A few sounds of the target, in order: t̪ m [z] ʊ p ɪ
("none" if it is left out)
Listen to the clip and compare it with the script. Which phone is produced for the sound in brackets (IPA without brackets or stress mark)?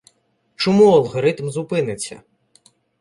z